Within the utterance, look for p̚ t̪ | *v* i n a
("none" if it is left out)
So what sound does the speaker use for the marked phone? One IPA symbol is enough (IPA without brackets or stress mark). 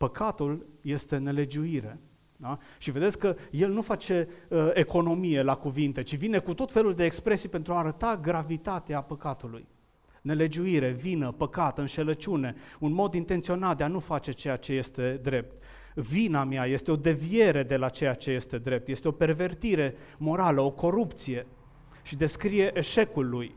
v